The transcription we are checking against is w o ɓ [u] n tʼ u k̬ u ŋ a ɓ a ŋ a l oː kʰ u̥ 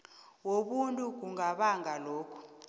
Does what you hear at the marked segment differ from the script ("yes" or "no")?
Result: no